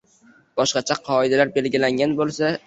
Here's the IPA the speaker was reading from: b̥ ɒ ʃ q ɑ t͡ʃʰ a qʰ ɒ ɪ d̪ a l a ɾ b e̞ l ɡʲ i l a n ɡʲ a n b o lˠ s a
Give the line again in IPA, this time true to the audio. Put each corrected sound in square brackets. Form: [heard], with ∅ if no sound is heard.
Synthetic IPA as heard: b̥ ɒ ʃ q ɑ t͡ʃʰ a qʰ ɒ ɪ d̪ a l a ɾ b e̞ l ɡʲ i l a [ŋ] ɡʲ a n b o lˠ s a